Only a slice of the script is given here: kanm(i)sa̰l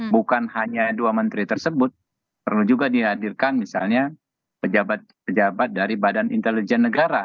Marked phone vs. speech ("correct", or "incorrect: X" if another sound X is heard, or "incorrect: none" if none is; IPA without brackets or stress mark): correct